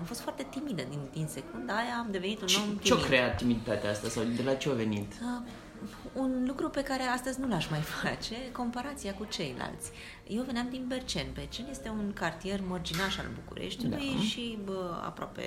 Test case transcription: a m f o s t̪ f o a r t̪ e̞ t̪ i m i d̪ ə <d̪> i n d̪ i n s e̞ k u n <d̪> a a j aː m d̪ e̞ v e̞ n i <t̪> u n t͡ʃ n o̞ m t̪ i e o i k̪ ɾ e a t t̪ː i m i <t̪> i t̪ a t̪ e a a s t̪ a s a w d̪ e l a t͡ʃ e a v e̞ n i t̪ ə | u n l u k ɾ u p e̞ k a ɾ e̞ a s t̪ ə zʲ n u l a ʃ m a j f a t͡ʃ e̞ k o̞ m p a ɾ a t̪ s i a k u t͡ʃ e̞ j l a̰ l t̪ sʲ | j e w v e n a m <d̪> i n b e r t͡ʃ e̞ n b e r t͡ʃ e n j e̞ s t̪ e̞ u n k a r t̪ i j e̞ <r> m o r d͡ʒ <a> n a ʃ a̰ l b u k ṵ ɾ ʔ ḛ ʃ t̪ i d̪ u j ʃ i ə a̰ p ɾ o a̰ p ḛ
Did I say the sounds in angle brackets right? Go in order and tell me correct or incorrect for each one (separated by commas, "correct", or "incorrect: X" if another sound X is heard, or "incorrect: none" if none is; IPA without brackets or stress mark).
correct, correct, correct, incorrect: d̪, correct, correct, incorrect: i